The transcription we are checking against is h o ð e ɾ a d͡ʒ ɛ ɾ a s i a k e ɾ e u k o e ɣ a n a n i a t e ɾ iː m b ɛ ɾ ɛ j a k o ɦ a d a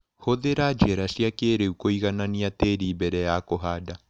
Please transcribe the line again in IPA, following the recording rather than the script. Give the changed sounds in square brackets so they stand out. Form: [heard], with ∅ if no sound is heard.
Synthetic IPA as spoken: h o ð e ɾ a d͡ʒ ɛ ɾ a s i a k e ɾ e u k o [i] ɣ a n a n i a t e ɾ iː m b ɛ ɾ ɛ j a k o ɦ a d a

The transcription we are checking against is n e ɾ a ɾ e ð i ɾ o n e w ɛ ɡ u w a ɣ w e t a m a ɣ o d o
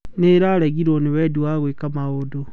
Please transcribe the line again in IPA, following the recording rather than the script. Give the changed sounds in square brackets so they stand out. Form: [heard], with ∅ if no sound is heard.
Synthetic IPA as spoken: n e ɾ a ɾ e [ɣ] i ɾ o n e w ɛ [d] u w a ɣ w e [k] a m a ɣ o d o

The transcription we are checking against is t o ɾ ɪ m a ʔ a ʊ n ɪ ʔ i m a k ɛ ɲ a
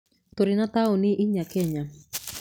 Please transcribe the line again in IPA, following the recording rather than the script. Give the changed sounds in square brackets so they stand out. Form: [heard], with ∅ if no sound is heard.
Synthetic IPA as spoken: t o ɾ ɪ [n] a [t] a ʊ n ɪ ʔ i [ɲ] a k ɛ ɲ a

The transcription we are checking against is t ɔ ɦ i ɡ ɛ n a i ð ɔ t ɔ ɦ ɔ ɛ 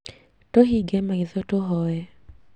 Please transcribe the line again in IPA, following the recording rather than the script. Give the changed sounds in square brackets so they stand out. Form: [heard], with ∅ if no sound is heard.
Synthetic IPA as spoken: t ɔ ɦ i ɡ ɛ [m] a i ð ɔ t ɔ ɦ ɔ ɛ

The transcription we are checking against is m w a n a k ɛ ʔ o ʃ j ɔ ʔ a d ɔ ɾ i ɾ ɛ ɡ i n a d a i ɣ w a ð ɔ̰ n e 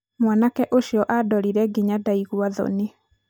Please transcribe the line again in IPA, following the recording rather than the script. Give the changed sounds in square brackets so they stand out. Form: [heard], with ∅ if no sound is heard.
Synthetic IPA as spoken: m w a n a k ɛ ʔ o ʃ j ɔ ʔ a d ɔ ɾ i ɾ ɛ ɡ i [ɲ] a d a i ɣ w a ð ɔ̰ n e

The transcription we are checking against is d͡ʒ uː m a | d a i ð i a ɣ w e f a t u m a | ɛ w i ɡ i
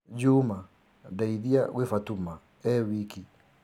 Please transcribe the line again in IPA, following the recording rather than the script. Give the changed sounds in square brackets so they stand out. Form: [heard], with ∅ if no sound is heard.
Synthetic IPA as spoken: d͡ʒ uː m a | d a i ð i a ɣ w e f a t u m a | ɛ w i [k] i

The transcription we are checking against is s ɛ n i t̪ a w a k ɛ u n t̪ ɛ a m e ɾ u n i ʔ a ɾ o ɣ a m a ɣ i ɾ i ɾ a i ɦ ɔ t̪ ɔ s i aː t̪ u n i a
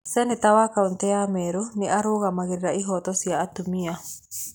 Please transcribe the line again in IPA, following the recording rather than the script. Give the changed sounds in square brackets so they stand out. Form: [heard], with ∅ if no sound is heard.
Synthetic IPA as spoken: s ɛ n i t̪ a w a k [a] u n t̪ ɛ a m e ɾ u n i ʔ a ɾ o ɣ a m a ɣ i ɾ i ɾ a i ɦ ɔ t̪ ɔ s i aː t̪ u [m] i a

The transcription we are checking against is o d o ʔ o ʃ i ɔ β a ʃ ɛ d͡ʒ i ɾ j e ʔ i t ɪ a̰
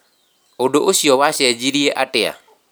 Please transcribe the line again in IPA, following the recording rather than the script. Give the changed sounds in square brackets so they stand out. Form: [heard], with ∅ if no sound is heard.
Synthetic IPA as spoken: o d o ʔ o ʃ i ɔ [w] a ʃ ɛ d͡ʒ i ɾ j e ʔ [a] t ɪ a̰

